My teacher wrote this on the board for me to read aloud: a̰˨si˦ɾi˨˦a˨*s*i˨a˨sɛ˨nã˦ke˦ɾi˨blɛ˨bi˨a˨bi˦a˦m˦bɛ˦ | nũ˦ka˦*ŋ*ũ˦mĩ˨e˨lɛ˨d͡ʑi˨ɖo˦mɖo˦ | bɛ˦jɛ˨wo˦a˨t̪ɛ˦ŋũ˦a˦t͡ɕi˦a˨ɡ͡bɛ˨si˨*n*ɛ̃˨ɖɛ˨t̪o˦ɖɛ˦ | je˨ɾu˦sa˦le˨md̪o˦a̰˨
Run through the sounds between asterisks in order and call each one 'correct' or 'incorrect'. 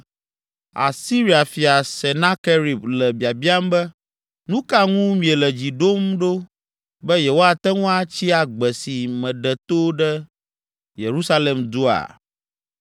incorrect, correct, incorrect

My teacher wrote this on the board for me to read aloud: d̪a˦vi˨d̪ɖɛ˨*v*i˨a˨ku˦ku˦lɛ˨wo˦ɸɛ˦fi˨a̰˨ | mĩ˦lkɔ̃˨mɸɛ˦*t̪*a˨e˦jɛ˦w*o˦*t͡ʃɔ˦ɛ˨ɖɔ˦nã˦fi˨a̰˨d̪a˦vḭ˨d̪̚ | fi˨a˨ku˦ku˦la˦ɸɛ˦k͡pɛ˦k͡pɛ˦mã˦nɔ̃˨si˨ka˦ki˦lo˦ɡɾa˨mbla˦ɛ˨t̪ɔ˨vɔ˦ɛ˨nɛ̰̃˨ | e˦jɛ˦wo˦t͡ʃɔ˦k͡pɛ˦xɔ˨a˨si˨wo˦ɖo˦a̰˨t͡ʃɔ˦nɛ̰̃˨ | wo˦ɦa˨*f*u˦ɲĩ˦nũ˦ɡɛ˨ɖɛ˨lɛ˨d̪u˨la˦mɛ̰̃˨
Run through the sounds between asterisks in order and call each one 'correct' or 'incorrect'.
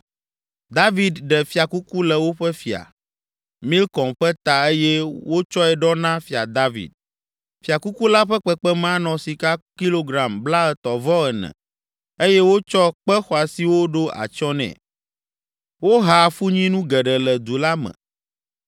incorrect, correct, correct, correct

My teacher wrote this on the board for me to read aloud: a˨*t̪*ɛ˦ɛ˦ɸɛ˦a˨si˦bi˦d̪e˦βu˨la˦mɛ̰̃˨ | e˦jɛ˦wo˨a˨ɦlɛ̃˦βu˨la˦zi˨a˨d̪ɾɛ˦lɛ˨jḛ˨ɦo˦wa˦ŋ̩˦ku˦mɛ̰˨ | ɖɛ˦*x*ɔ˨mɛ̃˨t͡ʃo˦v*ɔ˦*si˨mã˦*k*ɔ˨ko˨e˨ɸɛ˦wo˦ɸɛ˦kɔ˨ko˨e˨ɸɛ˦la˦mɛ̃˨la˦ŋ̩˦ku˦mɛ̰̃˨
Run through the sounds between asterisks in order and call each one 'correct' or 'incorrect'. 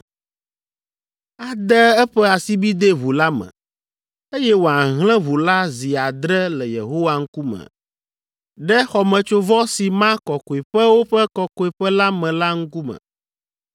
incorrect, correct, correct, correct

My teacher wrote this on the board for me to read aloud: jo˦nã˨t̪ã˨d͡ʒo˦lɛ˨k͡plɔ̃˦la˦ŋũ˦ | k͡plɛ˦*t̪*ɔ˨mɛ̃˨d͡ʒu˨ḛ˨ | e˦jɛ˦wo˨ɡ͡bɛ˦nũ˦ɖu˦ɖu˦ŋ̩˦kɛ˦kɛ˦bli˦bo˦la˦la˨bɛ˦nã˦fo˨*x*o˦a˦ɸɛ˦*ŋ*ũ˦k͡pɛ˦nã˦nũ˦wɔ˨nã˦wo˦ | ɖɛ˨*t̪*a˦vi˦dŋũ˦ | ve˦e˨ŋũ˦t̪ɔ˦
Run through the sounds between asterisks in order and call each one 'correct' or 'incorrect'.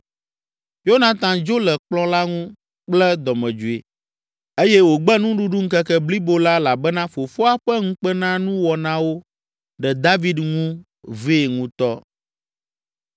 incorrect, incorrect, correct, incorrect

